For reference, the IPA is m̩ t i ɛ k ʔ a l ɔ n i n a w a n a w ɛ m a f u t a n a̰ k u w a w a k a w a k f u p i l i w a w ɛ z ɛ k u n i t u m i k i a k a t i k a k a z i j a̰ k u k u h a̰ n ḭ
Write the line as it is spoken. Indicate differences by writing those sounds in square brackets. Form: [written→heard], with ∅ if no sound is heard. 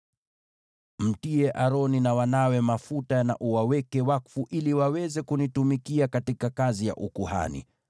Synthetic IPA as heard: m̩ t i ɛ [k→∅] ʔ a [l→ɾ] ɔ n i n a w a n a w ɛ m a f u t a n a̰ [k→ʔ] u w a w [a→ɛ] k [a→ɛ] w a k f u [p→ʔ] i l i w a w ɛ z ɛ k u n i t u m i k i a k a t i k a k a z i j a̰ [k→ʔ] u k u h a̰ n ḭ